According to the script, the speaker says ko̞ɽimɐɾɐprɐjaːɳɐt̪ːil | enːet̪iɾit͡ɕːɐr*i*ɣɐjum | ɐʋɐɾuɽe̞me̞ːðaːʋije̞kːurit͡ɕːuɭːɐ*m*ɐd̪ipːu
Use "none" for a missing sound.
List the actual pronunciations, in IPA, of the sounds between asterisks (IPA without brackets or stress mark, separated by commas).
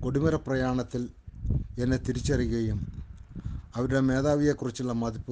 i, m